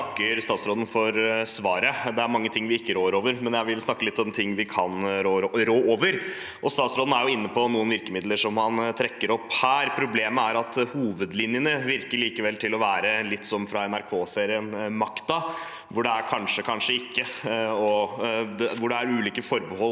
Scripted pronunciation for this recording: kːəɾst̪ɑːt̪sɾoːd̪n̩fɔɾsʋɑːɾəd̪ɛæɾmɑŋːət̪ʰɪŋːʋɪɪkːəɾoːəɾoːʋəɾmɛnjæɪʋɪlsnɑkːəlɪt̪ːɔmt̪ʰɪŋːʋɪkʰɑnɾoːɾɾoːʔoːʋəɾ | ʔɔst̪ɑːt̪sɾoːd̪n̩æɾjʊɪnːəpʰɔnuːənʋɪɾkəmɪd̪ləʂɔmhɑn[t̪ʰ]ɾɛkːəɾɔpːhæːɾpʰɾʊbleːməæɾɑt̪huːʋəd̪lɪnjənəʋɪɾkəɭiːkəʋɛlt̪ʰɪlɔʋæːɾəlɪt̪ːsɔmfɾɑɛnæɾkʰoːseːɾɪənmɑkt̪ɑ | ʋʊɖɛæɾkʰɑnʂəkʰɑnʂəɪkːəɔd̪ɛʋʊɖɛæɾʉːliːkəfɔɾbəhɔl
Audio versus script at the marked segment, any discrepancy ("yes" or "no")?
no